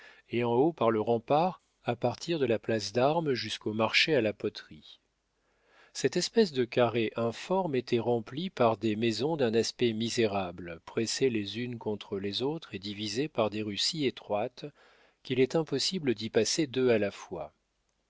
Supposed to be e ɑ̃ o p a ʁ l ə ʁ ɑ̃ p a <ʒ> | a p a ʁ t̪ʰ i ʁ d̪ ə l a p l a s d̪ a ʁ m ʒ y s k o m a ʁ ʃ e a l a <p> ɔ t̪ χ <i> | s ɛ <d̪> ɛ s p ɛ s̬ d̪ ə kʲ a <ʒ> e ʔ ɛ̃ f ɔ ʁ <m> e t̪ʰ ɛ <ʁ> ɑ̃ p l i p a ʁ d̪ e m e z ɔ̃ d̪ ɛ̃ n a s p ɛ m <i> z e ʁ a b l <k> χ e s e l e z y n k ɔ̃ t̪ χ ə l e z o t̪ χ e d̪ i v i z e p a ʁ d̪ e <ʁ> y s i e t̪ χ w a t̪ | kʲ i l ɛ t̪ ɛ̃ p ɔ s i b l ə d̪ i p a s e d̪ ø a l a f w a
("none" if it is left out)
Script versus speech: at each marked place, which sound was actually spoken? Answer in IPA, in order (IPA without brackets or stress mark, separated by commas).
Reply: ʁ, p, i, t̪, ʁ, m, ʁ, i, p, ʁ